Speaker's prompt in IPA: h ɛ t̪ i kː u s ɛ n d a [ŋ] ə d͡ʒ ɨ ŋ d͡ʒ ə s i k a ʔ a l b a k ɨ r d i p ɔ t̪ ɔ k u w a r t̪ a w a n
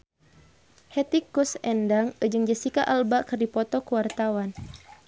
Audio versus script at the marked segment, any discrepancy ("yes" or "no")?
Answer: no